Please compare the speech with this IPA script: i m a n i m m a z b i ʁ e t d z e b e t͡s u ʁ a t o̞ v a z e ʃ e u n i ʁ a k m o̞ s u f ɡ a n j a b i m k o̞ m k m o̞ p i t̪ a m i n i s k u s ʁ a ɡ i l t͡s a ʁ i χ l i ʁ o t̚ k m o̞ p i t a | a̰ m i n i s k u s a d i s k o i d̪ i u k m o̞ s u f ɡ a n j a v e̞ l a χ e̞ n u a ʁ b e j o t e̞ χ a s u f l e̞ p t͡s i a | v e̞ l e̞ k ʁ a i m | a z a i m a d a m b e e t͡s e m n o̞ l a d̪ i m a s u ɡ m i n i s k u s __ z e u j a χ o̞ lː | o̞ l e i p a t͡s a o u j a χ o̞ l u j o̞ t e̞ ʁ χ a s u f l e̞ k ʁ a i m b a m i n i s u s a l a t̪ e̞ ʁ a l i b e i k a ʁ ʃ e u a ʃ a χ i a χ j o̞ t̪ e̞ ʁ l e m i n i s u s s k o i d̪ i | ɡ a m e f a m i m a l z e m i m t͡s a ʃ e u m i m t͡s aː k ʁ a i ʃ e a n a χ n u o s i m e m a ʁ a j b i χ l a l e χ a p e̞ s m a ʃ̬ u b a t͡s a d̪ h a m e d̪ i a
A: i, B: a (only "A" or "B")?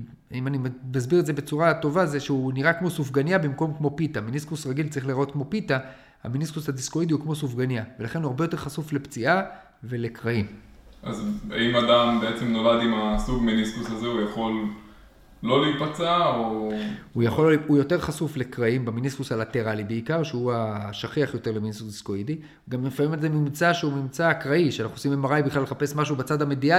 B